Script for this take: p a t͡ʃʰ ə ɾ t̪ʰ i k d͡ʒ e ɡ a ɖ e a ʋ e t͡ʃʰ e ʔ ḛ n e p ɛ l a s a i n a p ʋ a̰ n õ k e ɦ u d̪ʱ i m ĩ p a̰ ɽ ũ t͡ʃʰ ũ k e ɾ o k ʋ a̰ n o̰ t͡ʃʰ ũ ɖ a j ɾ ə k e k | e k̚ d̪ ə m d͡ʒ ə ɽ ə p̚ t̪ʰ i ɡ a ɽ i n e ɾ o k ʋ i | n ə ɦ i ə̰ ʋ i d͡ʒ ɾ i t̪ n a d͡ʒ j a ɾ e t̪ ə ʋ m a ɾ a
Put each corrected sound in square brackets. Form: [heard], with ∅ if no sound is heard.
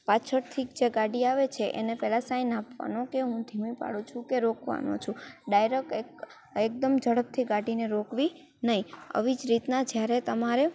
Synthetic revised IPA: p a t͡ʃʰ ə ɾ t̪ʰ i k d͡ʒ e ɡ a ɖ [i] a ʋ e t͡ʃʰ e ʔ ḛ n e p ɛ l a s a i n a p ʋ a̰ n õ k e ɦ [ũ] d̪ʱ i m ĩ p a̰ ɽ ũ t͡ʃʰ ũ k e ɾ o k ʋ a̰ n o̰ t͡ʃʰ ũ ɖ a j ɾ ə k e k | e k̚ d̪ ə m d͡ʒ ə ɽ ə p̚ t̪ʰ i ɡ a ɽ i n e ɾ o k ʋ i | n ə ɦ i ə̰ ʋ i d͡ʒ ɾ i t̪ n a d͡ʒ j a ɾ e t̪ ə [∅] m a ɾ [e]